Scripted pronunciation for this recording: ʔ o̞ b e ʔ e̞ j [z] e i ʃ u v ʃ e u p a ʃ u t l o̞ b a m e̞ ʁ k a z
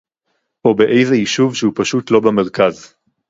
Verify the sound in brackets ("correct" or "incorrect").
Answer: correct